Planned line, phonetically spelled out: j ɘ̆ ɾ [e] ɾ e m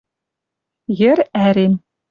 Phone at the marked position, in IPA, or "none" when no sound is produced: æ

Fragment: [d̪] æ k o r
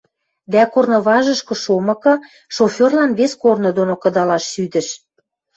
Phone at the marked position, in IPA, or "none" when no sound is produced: d̪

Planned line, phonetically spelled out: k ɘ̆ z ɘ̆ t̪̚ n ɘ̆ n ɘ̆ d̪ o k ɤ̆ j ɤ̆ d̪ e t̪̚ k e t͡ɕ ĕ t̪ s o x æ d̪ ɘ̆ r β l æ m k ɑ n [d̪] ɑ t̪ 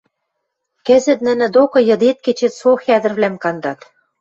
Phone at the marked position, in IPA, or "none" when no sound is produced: d̪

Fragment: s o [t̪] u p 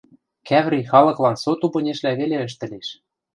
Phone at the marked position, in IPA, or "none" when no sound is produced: t̪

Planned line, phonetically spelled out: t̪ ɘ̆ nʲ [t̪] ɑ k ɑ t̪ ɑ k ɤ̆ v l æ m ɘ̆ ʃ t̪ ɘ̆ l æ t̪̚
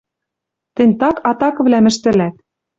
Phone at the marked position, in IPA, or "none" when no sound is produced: t̪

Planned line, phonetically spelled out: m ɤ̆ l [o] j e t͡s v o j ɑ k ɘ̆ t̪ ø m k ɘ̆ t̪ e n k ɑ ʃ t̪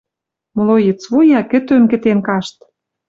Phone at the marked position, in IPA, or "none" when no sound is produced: o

